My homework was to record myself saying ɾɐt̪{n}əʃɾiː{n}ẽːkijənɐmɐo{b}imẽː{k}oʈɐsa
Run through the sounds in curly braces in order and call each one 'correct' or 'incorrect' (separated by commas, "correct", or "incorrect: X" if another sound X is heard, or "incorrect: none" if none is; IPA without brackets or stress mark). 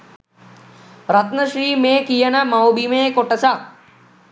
correct, incorrect: m, correct, correct